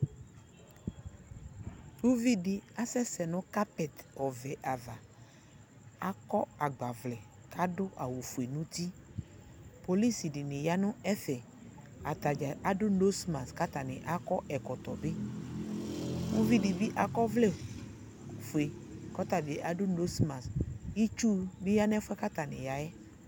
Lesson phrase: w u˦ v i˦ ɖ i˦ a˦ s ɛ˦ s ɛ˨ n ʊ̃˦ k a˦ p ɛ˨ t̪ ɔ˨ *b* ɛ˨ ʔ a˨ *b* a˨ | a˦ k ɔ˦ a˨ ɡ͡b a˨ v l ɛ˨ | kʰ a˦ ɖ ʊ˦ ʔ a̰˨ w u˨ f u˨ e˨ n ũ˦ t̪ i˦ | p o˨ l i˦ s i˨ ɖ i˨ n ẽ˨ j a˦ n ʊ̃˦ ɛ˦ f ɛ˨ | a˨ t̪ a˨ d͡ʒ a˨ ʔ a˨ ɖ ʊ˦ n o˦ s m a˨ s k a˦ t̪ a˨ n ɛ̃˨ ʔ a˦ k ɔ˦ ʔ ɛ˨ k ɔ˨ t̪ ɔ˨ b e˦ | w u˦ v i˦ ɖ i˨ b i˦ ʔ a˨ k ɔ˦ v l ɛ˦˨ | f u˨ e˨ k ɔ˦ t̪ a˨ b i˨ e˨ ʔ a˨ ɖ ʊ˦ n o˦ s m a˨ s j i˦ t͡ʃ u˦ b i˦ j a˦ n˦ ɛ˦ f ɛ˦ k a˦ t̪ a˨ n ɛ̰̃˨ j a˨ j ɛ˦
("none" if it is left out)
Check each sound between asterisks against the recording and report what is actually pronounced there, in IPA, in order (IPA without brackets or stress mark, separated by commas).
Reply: v, v